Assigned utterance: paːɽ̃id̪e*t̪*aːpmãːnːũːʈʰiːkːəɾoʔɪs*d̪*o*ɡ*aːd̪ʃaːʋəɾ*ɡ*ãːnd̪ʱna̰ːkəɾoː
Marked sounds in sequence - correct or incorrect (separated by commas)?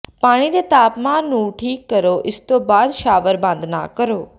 correct, incorrect, incorrect, incorrect